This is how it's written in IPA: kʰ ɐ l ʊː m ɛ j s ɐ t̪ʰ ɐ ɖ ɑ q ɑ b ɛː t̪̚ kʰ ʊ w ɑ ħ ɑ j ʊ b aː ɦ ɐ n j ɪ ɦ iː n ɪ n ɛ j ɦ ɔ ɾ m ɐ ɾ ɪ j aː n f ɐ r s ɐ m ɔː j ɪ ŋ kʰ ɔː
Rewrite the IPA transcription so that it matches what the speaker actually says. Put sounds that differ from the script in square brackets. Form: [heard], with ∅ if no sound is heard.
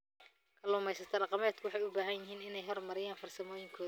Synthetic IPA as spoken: kʰ ɐ l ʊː m ɛ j s ɐ t̪ʰ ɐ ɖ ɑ q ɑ [m] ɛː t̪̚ kʰ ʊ w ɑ ħ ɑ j ʊ b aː ɦ ɐ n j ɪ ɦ iː n ɪ n ɛ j ɦ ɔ [r] m ɐ ɾ ɪ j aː n f ɐ r s ɐ m ɔː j ɪ ŋ kʰ ɔː